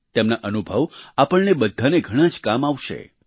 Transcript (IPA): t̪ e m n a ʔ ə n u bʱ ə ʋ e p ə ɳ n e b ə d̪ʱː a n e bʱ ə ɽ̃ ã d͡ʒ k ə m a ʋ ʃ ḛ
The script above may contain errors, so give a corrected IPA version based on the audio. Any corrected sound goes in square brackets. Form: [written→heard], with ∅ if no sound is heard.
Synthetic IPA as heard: t̪ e m n a ʔ ə n u bʱ ə ʋ [e→a] p ə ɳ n e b ə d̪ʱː a n e [bʱ→ɡʱ] ə ɽ̃ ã d͡ʒ k [ə→a] m a ʋ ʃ ḛ